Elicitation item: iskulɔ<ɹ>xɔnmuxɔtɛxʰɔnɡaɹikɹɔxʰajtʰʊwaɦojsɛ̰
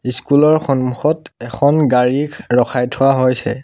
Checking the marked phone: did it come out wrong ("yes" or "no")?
no